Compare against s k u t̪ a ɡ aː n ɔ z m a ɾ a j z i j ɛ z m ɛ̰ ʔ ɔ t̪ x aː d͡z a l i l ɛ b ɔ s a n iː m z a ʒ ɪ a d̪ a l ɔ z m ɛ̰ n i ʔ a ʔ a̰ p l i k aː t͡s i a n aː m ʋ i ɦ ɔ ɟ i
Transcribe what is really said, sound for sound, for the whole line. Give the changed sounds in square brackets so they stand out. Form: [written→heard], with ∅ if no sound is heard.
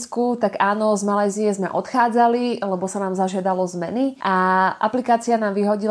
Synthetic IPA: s k u t̪ a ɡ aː n ɔ z m a [ɾ→l] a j z i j ɛ z m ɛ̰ ʔ ɔ t̪ x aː d͡z a l i l ɛ b ɔ s a n [iː→aː] m z a ʒ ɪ a d̪ a l ɔ z m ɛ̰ n i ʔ a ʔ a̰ p l i k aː t͡s i a n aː m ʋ i ɦ ɔ ɟ i